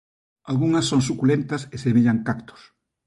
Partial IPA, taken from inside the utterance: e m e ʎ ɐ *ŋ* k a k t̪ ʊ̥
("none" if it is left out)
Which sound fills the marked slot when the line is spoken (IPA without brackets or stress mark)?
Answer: ŋ